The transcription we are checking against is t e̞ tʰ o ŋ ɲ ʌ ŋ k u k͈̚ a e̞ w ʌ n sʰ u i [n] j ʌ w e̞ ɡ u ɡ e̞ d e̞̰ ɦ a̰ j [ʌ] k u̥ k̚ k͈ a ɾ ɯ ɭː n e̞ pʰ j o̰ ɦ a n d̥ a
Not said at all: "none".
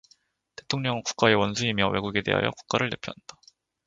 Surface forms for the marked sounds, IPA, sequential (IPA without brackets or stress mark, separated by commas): m, ʌ